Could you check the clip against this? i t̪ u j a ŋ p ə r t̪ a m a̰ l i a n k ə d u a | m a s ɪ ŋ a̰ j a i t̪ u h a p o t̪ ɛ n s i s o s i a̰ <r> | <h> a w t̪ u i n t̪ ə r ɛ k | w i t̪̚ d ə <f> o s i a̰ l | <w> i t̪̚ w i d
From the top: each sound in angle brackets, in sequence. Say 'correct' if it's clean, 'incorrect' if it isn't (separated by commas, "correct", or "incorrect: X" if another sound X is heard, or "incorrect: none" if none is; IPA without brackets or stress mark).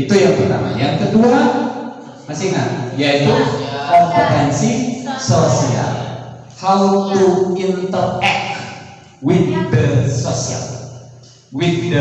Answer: incorrect: l, correct, incorrect: s, correct